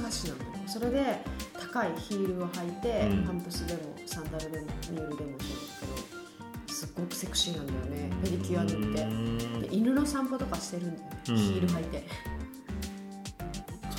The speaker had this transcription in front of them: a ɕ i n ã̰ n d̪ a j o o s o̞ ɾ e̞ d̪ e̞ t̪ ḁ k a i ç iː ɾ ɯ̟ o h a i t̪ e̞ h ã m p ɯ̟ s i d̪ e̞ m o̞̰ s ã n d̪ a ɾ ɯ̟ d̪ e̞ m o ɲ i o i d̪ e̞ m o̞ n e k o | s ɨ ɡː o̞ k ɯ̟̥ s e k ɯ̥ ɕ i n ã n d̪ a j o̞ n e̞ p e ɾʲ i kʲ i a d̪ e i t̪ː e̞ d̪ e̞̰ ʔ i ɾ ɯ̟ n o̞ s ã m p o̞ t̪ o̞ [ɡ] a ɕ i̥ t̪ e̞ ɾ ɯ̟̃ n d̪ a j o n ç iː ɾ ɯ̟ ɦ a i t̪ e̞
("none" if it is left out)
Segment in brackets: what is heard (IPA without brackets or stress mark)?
k